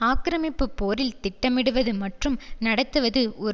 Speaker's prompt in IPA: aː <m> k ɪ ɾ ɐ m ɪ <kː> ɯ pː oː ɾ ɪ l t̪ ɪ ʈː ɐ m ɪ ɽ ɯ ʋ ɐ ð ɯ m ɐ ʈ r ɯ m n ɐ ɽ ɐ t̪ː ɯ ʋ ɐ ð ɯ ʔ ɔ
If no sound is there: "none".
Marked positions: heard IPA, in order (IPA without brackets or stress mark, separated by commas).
none, pː